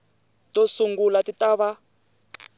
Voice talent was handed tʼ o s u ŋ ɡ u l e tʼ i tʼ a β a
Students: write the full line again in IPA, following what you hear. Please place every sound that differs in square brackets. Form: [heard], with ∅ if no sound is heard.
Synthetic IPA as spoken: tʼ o s u ŋ ɡ u l [a] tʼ i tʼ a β a